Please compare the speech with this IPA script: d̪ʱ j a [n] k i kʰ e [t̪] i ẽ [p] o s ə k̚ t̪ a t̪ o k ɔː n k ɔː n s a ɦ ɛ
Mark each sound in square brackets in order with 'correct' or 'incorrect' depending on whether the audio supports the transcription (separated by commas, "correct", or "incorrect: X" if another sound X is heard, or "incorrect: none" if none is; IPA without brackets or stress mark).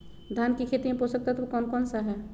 correct, correct, correct